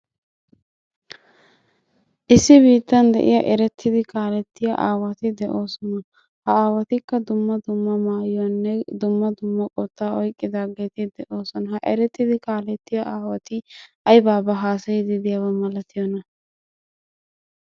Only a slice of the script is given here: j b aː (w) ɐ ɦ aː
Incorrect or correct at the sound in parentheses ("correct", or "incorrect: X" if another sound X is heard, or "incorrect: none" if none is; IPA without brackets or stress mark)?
incorrect: b